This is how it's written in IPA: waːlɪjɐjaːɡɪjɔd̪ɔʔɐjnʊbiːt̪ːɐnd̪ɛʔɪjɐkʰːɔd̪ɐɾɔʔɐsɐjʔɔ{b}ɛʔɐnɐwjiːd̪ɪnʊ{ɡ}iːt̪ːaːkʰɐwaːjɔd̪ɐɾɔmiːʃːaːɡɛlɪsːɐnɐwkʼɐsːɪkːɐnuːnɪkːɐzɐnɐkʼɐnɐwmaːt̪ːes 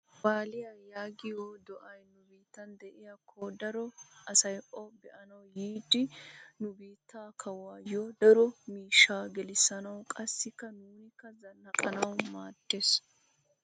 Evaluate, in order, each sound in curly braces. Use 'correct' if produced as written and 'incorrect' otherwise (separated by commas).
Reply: correct, incorrect